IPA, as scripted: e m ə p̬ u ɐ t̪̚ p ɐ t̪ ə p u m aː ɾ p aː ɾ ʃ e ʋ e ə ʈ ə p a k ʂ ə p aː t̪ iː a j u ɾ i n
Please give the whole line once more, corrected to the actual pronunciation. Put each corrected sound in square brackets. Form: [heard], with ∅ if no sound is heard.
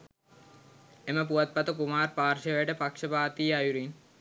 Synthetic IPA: e m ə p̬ u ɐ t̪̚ p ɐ t̪ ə [k] u m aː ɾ p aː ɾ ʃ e ʋ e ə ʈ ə p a k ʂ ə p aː t̪ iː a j u ɾ i n